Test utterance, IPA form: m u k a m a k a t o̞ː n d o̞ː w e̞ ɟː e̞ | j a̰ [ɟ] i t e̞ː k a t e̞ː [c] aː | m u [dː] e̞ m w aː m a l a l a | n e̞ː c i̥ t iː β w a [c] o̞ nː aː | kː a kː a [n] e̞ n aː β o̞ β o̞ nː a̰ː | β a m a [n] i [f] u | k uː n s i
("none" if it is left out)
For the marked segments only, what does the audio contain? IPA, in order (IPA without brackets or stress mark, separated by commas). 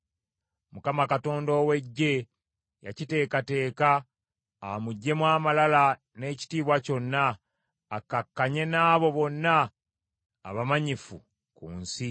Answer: c, k, ɟː, c, ɲ, ɲ, f